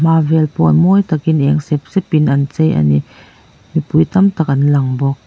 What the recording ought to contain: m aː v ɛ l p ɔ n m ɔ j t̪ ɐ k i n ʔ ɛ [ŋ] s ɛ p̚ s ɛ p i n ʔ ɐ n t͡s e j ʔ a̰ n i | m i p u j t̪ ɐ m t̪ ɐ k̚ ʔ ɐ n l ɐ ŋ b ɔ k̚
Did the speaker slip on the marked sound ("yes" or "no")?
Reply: no